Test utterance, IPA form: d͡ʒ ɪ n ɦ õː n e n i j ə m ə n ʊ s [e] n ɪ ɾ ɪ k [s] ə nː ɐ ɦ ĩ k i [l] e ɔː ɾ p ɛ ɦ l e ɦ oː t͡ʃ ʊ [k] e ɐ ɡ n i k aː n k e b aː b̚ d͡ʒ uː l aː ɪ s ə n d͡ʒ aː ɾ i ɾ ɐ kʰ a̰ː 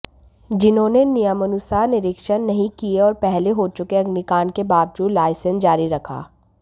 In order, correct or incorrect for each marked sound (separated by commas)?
incorrect, incorrect, incorrect, correct